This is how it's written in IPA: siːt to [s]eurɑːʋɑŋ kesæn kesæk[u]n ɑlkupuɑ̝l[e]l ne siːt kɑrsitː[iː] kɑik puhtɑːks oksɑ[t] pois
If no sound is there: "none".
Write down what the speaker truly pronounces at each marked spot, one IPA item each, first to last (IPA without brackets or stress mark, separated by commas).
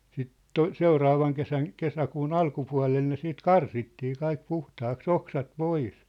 s, uː, e, iː, t